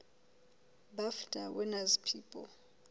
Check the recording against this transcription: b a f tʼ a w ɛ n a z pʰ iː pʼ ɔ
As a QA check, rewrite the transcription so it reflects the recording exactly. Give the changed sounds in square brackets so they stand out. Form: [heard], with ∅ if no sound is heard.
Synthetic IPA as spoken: b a f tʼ a w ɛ n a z pʰ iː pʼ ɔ